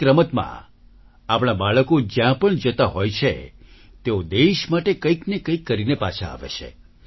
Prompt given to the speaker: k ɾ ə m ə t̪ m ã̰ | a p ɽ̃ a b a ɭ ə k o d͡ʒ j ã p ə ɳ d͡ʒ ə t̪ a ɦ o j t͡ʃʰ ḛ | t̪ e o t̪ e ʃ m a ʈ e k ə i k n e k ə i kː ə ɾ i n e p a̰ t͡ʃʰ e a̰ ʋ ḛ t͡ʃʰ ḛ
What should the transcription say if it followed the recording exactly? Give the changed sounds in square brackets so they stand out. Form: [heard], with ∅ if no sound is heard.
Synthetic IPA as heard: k ɾ ə m ə t̪ m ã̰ | a p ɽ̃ a b a ɭ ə k o d͡ʒ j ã p ə ɳ d͡ʒ ə t̪ a ɦ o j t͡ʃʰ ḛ | t̪ e o [d̪] e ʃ m a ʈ e k ə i k n e k ə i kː ə ɾ i n e p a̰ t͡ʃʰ [a] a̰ ʋ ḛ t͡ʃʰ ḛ